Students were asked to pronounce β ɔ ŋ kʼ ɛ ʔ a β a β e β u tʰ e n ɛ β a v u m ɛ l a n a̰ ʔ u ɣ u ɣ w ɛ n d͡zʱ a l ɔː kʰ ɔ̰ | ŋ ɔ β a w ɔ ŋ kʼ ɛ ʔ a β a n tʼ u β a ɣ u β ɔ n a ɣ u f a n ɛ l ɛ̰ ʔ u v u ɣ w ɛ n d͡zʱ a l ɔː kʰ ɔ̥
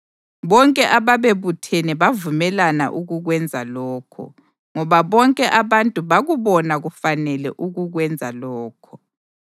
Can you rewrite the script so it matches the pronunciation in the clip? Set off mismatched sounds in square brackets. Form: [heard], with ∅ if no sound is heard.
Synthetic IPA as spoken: β ɔ ŋ kʼ ɛ ʔ a β a β e β u tʰ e n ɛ β a v u m ɛ l a n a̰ ʔ u ɣ u ɣ w ɛ n d͡zʱ a l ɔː kʰ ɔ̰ | ŋ ɔ β a [β] ɔ ŋ kʼ ɛ ʔ a β a n tʼ u β a ɣ u β ɔ n a ɣ u f a n ɛ l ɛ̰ ʔ u [ɣ] u ɣ w ɛ n d͡zʱ a l ɔː kʰ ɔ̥

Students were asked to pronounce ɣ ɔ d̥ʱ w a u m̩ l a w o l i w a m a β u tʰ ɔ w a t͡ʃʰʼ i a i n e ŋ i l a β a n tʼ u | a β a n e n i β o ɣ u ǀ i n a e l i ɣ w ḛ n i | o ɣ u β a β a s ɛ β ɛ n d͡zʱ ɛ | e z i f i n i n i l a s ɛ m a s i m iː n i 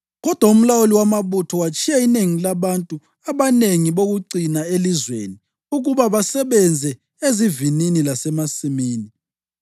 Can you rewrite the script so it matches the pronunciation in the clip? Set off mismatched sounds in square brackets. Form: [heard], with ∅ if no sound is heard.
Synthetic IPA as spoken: ɣ ɔ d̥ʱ w a u m̩ l a w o l i w a m a β u tʰ ɔ w a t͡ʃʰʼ i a i n e ŋ i l a β a n tʼ u | a β a n e [ŋ] i β o ɣ u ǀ i n a e l i [z] w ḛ n i | [u] ɣ u β a β a s ɛ β ɛ n d͡zʱ ɛ | e z i [v] i n i n i l a s ɛ m a s i m iː n i

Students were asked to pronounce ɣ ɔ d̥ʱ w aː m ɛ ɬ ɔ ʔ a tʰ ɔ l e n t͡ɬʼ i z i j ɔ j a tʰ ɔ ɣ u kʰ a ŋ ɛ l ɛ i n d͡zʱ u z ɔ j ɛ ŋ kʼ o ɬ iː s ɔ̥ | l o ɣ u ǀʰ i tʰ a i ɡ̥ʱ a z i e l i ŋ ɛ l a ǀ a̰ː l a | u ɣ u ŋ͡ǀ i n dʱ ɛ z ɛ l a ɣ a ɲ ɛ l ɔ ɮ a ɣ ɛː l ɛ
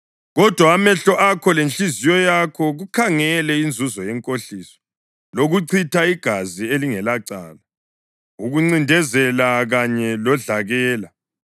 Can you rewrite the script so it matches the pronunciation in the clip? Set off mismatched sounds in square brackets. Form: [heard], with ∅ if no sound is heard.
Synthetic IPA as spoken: ɣ ɔ d̥ʱ w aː m ɛ ɬ ɔ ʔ a [kʰ] ɔ l e n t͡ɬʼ i z i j ɔ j a [kʰ] ɔ ɣ u kʰ a ŋ ɛ l ɛ i n d͡zʱ u z ɔ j ɛ ŋ kʼ o ɬ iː s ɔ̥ | l o ɣ u ǀʰ i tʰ a i ɡ̥ʱ a z i e l i ŋ ɛ l a ǀ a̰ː l a | u ɣ u ŋ͡ǀ i n dʱ ɛ z ɛ l a ɣ a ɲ ɛ l ɔ ɮ a ɣ ɛː l [a]

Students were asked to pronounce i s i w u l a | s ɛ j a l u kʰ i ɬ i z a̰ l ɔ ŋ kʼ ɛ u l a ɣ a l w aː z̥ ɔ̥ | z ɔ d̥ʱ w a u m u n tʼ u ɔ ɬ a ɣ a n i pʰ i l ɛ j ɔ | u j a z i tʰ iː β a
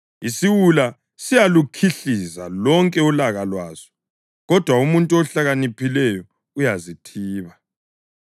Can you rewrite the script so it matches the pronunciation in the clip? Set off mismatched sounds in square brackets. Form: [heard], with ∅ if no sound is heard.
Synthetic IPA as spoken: i s i w u l a | s [i] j a l u kʰ i ɬ i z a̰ l ɔ ŋ kʼ ɛ u l a ɣ a l w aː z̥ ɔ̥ | [ɣ] ɔ d̥ʱ w a u m u n tʼ u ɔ ɬ a ɣ a n i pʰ i l ɛ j ɔ | u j a z i tʰ iː β a

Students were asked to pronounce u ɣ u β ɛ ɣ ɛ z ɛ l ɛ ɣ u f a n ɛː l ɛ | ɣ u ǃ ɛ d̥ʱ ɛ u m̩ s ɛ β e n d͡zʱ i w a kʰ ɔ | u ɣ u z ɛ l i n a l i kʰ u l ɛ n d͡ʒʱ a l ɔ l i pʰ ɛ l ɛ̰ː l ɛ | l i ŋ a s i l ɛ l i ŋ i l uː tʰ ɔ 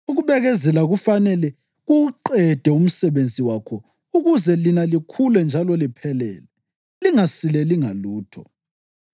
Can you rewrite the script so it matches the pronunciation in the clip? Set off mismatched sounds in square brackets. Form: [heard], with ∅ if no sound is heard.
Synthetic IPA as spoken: u ɣ u β ɛ ɣ ɛ z ɛ l [a] ɣ u f a n [ɛ] l ɛ | ɣ u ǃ ɛ d̥ʱ ɛ u m̩ s ɛ β e n d͡zʱ i w a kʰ ɔ | u ɣ u z ɛ l i n a l i kʰ u l ɛ n d͡ʒʱ a l ɔ l i pʰ ɛ l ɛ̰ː l ɛ | l i ŋ a s i l ɛ l i ŋ [a] l uː tʰ ɔ

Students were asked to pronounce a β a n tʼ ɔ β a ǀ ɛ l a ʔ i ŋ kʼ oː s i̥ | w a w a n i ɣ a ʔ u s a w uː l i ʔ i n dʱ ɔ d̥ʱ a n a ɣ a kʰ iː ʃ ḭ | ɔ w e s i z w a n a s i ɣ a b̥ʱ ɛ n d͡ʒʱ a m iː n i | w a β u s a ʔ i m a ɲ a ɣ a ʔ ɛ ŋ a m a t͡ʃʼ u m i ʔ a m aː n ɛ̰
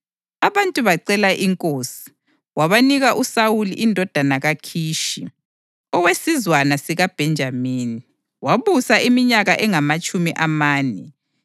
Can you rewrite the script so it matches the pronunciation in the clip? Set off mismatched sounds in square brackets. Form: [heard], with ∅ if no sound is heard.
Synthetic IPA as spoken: a β a n tʼ [u] β a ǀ ɛ l a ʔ i ŋ kʼ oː s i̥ | w a [β] a n i ɣ a ʔ u s a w [u] l i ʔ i n dʱ ɔ d̥ʱ a n a ɣ a kʰ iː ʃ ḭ | ɔ w e s i z w a n a s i ɣ a b̥ʱ ɛ n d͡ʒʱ a m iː n i | w a β u s a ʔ i m [i] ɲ a ɣ a ʔ ɛ ŋ a m a t͡ʃʼ u m i ʔ a m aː n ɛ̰

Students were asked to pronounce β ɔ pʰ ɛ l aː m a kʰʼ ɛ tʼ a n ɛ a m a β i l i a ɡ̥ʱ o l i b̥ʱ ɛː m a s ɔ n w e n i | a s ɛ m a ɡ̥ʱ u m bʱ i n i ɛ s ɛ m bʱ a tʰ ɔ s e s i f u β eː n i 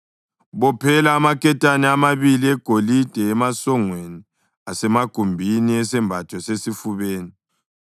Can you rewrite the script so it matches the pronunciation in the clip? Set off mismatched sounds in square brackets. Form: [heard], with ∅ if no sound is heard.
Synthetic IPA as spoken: β ɔ pʰ ɛ l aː m a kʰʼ ɛ tʼ a n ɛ a m a β i l i [ɛ] ɡ̥ʱ o l i [d̥ʱ] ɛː m a s ɔ [ŋ] w e n i | a s ɛ m a ɡ̥ʱ u m bʱ i n i ɛ s ɛ m bʱ a tʰ ɔ s e s i f u β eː n i

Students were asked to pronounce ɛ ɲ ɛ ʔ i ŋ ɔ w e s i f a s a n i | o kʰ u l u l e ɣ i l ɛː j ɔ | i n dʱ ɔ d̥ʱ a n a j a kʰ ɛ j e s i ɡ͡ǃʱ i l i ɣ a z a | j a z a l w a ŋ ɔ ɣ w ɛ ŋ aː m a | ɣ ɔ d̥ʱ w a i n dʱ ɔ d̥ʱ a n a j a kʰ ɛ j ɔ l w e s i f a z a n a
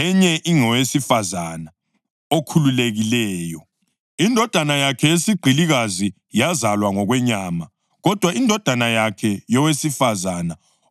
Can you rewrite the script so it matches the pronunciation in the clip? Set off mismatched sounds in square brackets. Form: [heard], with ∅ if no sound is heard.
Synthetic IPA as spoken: ɛ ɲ ɛ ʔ i ŋ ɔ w e s i f a [z] a n [a] | o kʰ u l u l e ɣ i l ɛː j ɔ | i n dʱ ɔ d̥ʱ a n a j a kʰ ɛ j e s i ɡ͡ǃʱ i l i ɣ a z [i] | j a z a l w a ŋ ɔ ɣ w ɛ [ɲ] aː m a | ɣ ɔ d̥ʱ w a i n dʱ ɔ d̥ʱ a n a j a kʰ ɛ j ɔ [∅] w e s i f a z a n a

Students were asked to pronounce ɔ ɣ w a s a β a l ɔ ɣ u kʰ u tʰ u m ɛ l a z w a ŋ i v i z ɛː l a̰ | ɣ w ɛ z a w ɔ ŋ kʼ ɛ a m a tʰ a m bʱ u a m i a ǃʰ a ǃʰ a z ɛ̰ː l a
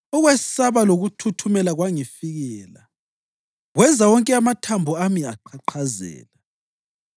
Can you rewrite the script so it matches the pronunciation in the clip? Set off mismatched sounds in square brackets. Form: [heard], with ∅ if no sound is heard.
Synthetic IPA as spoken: ɔ ɣ w [ɛ] s a β a l [o] ɣ u [tʰ] u tʰ u m ɛ l a [ɣ] w a ŋ i [f] i [ɣ] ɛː l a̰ | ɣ w ɛ z a w ɔ ŋ kʼ ɛ a m a tʰ a m bʱ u a m i a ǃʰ a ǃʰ a z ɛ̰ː l a

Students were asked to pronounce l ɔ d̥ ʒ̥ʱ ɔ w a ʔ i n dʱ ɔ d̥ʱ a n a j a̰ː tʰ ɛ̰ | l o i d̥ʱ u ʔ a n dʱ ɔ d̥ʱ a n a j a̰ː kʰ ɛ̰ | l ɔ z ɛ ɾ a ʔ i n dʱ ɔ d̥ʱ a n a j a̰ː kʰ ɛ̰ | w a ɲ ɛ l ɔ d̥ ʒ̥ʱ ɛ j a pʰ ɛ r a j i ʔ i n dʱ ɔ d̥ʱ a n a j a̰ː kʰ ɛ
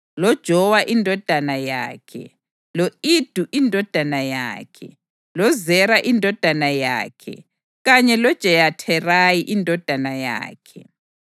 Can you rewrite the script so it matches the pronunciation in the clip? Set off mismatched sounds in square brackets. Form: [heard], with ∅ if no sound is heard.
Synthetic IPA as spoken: l ɔ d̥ ʒ̥ʱ ɔ w a ʔ i n dʱ ɔ d̥ʱ a n a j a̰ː [kʰ] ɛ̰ | l o i d̥ʱ u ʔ [i] n dʱ ɔ d̥ʱ a n a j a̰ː kʰ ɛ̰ | l ɔ z ɛ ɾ a ʔ i n dʱ ɔ d̥ʱ a n a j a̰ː kʰ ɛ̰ | [ɣ] a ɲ ɛ l ɔ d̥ ʒ̥ʱ ɛ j a [tʰ] ɛ r a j i ʔ i n dʱ ɔ d̥ʱ a n a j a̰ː kʰ ɛ

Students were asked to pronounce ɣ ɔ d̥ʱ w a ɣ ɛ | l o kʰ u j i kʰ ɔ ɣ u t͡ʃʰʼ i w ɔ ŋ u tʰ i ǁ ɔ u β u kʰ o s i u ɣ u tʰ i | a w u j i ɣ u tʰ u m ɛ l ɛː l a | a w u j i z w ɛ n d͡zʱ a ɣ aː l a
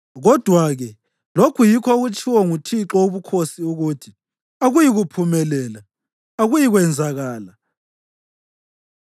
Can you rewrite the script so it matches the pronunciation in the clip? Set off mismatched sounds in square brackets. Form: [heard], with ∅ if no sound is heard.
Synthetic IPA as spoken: ɣ ɔ d̥ʱ w a ɣ ɛ | l o kʰ u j i kʰ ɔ ɣ u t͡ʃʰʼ i w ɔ ŋ u tʰ i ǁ ɔ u β u kʰ o s i u ɣ u tʰ i | a [ɣ] u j i ɣ u [pʰ] u m ɛ l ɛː l a | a [ɣ] u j i [ɣ] w ɛ n d͡zʱ a ɣ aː l a

